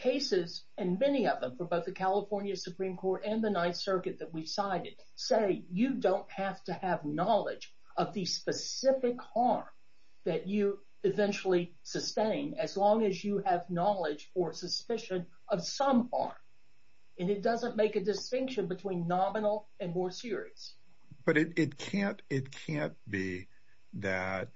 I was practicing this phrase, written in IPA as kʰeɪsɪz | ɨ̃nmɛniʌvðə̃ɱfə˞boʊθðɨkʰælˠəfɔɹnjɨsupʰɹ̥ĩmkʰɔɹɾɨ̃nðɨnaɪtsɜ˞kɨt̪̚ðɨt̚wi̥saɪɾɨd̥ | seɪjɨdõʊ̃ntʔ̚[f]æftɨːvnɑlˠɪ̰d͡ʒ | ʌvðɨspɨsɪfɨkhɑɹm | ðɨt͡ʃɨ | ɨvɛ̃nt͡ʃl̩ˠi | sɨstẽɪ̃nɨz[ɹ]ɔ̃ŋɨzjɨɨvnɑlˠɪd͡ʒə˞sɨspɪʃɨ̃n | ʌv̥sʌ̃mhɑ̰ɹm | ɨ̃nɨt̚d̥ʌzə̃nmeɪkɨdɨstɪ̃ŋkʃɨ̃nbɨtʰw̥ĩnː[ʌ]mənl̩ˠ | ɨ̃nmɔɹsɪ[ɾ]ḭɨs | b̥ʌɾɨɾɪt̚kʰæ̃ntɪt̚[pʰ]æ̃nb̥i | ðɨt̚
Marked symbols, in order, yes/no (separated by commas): no, no, no, no, no